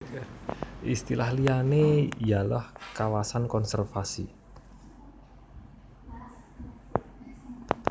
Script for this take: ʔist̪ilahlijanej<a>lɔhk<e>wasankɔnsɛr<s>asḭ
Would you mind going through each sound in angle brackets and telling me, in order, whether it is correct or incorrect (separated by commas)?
correct, incorrect, incorrect